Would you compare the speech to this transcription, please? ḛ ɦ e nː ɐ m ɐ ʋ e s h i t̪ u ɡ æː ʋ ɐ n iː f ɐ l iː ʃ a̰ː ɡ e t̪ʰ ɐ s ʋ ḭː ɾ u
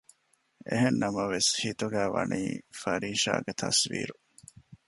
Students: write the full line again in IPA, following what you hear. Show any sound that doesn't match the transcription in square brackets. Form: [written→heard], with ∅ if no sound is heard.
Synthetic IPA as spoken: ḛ ɦ e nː ɐ m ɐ ʋ e s h i t̪ u ɡ æː ʋ ɐ n iː f ɐ [l→ɾ] iː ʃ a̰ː ɡ e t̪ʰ ɐ s ʋ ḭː ɾ u

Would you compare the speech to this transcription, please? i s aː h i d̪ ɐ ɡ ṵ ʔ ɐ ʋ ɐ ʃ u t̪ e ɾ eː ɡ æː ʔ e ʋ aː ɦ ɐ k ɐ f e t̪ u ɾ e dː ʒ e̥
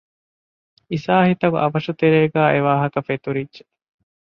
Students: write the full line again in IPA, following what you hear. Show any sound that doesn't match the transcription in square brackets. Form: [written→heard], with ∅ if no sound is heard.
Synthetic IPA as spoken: i s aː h i [d̪→t̪] ɐ ɡ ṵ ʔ ɐ ʋ ɐ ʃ u t̪ e ɾ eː ɡ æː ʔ e ʋ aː ɦ ɐ k ɐ f e t̪ u ɾ [e→i] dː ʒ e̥

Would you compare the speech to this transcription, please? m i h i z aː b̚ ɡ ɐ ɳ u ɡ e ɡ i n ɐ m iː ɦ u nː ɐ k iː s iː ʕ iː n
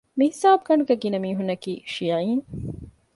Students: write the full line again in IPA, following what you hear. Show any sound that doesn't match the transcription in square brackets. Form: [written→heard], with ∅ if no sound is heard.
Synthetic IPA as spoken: m i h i [z→s] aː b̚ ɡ ɐ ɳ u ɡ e ɡ i n ɐ m iː ɦ u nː ɐ k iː [s→ʃ] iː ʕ iː n

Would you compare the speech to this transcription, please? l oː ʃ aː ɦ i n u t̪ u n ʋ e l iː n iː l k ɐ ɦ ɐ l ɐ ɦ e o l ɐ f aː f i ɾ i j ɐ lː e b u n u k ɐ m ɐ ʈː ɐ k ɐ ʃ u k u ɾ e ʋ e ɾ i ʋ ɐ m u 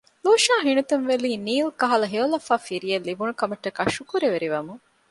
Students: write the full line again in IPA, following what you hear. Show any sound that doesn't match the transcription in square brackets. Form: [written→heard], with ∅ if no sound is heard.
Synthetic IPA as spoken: l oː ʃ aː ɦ i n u t̪ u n ʋ e l iː n iː l k ɐ ɦ ɐ l ɐ ɦ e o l ɐ f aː f i ɾ i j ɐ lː [e→i] b u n u k ɐ m ɐ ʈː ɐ k ɐ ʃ u k u ɾ e ʋ e ɾ i ʋ ɐ m u

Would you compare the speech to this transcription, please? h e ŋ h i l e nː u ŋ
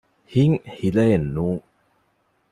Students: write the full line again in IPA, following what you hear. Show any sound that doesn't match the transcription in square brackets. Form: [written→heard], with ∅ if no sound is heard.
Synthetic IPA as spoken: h [e→i] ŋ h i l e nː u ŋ

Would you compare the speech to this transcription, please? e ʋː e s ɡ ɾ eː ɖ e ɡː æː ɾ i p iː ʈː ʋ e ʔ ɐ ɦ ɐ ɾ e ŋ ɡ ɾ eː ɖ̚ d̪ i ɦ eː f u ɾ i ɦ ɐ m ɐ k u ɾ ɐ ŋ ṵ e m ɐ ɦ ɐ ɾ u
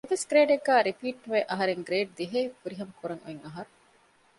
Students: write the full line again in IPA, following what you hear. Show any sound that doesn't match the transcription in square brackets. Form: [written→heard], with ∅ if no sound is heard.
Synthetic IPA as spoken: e [ʋː→ʋ] e s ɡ ɾ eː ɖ e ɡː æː ɾ i p iː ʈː ʋ e ʔ ɐ ɦ ɐ ɾ e ŋ ɡ ɾ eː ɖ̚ d̪ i ɦ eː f u ɾ i ɦ ɐ m ɐ k u ɾ ɐ ŋ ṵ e [m→ŋ] ɐ ɦ ɐ ɾ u

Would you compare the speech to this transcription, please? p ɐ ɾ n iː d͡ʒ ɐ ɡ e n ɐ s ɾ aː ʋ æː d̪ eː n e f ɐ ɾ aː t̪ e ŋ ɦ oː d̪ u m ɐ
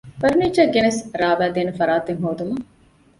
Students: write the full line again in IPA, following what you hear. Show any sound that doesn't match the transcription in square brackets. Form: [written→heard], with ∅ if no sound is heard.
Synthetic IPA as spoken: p ɐ ɾ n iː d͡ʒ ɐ ɡ e n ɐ s ɾ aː ʋ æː d̪ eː n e f ɐ ɾ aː t̪ e ŋ ɦ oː d̪ u m ɐ

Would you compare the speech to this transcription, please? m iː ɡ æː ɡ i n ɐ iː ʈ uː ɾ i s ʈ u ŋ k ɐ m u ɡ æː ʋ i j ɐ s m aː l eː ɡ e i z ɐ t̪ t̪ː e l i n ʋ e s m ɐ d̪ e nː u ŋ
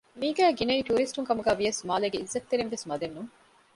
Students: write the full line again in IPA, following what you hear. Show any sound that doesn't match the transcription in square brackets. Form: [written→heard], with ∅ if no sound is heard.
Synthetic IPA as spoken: m iː ɡ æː ɡ i n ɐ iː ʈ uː ɾ i s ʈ u ŋ k ɐ m u ɡ æː ʋ i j ɐ s m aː l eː ɡ e i [z→zː] ɐ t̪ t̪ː e [l→ɾ] i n ʋ e s m ɐ d̪ e nː u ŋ

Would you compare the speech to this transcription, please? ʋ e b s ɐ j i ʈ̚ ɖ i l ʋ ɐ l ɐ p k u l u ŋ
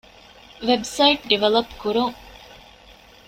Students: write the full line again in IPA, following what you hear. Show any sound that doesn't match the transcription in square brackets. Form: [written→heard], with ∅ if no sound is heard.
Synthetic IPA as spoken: ʋ e b s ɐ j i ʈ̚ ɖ i [l→∅] ʋ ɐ l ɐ p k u [l→ɾ] u ŋ

